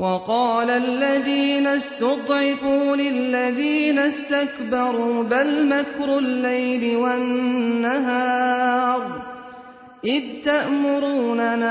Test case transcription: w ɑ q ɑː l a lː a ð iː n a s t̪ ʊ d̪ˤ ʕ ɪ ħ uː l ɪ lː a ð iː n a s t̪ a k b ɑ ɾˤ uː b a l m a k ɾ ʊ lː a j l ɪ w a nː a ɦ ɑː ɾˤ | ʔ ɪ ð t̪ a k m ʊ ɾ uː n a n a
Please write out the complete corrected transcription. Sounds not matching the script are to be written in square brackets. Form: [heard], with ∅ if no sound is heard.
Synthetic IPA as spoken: w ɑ q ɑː l a lː a ð iː n a s t̪ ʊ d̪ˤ ʕ ɪ [f] uː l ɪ lː a ð iː n a s t̪ a k b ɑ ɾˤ uː b a l m a k ɾ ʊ lː a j l ɪ w a nː a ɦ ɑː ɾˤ | ʔ ɪ ð t̪ a [ʔ] m ʊ ɾ uː n a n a